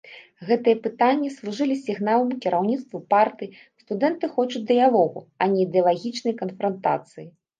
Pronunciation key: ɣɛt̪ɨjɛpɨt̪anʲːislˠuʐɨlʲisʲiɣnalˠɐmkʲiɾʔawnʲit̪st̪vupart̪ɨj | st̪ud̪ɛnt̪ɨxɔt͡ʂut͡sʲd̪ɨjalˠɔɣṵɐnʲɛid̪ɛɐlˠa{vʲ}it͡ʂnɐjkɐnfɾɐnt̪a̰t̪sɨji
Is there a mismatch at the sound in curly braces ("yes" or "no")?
yes